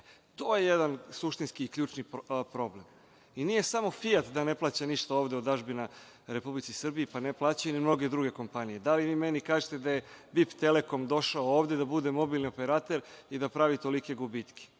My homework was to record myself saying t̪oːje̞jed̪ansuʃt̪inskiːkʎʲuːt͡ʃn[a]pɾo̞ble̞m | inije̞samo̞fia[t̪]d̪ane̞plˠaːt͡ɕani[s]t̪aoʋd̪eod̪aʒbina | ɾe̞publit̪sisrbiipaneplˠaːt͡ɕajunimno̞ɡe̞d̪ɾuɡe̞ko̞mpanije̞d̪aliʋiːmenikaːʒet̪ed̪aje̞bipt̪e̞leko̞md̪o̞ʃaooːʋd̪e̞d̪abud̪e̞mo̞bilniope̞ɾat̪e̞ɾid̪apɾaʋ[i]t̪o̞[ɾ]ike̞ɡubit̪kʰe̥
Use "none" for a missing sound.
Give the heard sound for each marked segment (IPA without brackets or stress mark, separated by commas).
i, t̪, ʃ, i, l